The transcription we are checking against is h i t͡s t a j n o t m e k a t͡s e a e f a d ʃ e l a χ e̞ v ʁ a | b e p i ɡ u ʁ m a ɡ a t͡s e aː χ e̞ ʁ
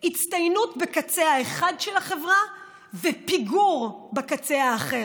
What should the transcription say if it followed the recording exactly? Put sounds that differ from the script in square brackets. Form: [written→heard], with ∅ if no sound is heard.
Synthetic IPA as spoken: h i t͡s t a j n [o→u] t [m→b] e k a t͡s e a e [f→χ] a d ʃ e l a χ e̞ v ʁ a | [b→v] e p i ɡ u ʁ [m→b] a [ɡ→k] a t͡s e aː χ e̞ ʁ